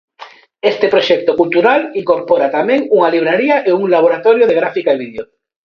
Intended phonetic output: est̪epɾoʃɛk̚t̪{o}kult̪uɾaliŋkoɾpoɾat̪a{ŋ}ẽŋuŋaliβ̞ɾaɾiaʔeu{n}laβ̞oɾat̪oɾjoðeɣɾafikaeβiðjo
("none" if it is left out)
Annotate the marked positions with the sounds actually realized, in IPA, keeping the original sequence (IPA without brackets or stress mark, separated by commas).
o, m, ŋ